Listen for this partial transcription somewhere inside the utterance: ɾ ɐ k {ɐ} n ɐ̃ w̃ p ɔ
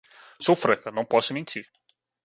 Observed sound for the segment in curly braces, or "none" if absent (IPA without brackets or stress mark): ɐ